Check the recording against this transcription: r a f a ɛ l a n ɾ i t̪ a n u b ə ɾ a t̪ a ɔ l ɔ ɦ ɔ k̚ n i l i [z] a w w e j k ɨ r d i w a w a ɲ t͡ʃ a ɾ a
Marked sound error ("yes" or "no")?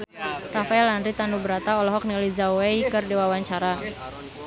no